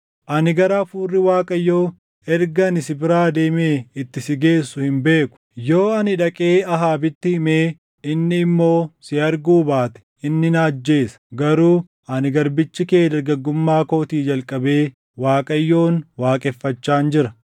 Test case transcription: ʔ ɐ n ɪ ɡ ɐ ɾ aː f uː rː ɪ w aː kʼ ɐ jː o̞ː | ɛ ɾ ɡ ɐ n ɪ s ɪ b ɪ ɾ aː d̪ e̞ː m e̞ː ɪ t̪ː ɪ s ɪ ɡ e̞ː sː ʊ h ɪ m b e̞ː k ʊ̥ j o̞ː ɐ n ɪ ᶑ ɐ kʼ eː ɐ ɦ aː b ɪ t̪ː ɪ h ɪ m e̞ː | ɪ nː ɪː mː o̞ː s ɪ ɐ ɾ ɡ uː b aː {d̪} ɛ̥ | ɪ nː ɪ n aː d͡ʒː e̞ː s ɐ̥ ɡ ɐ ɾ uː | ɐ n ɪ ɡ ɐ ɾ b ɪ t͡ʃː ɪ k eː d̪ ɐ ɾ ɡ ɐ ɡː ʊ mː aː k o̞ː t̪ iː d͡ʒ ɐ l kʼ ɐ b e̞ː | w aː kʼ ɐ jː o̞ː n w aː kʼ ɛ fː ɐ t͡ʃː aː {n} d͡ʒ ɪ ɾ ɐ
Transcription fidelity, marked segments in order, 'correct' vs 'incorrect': incorrect: t̪, correct

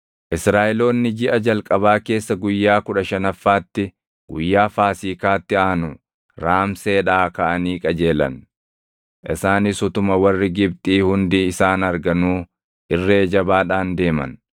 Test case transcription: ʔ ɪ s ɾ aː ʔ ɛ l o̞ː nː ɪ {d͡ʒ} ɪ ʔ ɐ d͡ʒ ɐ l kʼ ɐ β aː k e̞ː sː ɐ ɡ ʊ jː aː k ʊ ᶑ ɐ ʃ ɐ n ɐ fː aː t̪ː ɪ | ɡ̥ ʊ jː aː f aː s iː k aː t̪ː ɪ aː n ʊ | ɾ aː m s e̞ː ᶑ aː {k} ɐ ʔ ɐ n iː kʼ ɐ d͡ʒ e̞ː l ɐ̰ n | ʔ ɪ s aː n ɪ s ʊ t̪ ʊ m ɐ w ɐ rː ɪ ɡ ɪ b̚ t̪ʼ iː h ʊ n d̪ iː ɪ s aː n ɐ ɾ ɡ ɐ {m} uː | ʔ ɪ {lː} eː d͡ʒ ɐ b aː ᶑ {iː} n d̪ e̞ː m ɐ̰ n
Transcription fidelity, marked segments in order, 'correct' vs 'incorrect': correct, correct, incorrect: n, incorrect: rː, incorrect: aː

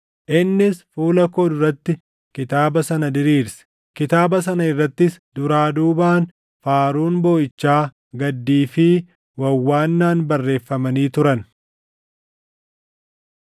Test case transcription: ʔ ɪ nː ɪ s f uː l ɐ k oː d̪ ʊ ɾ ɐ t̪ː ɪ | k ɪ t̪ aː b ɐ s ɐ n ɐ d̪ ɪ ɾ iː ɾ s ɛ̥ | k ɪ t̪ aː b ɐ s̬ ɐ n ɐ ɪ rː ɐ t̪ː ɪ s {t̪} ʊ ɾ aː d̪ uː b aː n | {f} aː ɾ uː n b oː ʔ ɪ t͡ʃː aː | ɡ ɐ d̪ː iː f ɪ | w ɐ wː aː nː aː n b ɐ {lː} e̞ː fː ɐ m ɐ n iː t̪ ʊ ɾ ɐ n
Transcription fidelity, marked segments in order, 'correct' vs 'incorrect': incorrect: d̪, correct, incorrect: rː

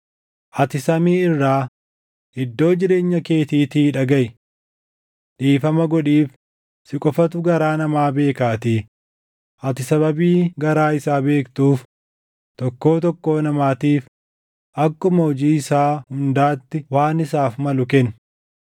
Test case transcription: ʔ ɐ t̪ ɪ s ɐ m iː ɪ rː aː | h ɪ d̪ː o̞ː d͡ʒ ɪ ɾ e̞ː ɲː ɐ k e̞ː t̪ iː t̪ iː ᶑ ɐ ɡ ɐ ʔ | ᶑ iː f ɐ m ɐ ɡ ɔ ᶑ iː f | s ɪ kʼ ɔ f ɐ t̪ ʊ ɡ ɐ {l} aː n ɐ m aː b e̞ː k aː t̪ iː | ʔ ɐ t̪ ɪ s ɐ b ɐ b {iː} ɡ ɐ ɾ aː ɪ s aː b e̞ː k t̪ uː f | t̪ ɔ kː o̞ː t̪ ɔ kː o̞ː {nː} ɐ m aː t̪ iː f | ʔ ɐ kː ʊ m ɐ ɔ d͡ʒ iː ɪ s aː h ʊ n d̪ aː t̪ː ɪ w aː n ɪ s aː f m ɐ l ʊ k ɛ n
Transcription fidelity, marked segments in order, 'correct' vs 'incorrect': incorrect: ɾ, correct, incorrect: n

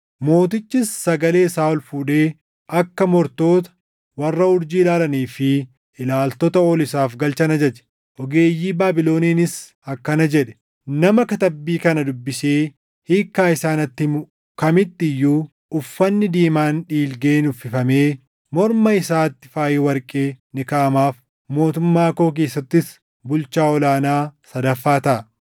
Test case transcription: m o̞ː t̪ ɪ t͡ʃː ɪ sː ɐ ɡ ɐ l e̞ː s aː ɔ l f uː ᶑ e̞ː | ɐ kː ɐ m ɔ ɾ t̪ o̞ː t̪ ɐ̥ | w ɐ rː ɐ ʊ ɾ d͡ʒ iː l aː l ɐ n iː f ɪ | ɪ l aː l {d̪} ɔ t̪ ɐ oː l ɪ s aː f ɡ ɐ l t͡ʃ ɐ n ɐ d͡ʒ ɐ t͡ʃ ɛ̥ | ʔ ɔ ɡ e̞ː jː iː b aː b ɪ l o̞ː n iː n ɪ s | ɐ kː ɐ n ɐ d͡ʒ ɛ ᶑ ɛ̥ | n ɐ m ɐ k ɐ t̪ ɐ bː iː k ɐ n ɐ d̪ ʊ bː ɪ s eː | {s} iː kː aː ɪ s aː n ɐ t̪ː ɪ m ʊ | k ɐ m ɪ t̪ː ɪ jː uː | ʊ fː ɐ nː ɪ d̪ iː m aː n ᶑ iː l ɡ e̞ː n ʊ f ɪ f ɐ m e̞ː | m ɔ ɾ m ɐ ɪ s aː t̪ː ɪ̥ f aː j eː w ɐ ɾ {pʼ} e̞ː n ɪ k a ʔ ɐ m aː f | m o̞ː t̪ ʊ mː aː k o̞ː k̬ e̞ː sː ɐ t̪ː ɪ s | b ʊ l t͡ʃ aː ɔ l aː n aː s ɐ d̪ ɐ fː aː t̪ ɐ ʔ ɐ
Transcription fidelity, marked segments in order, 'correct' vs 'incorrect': incorrect: t̪, incorrect: h, incorrect: kʼ

